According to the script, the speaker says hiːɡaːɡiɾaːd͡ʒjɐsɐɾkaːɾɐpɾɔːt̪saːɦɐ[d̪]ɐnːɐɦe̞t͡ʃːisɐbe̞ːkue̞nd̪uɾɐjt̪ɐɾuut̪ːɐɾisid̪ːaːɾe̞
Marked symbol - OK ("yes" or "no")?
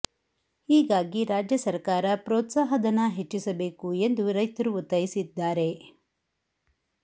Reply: yes